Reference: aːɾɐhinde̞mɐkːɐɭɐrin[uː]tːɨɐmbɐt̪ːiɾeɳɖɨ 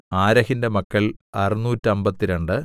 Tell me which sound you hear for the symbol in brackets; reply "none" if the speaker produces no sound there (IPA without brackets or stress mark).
uː